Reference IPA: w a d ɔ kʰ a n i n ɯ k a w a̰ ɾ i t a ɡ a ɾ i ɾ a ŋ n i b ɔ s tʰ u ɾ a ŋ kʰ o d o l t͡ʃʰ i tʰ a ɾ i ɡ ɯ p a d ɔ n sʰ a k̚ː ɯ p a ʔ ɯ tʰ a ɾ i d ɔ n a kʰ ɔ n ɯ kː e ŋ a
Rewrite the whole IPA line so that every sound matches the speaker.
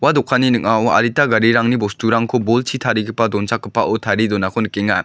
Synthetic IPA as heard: w a d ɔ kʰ a n i n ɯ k a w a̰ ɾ i t a ɡ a ɾ i ɾ a ŋ n i b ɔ s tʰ u ɾ a ŋ kʰ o b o l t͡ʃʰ i tʰ a ɾ i ɡ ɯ p a d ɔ n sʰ a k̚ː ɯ p a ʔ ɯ tʰ a ɾ i d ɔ n a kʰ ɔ n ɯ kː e ŋ a